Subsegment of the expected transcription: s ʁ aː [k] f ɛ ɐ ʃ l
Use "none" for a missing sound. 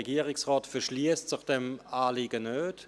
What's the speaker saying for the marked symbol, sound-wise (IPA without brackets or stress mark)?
t